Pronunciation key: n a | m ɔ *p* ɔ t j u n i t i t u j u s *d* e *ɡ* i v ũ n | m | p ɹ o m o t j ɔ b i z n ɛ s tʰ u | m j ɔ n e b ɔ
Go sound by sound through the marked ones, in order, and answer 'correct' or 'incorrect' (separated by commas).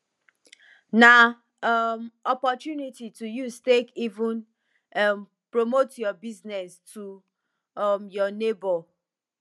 correct, incorrect, incorrect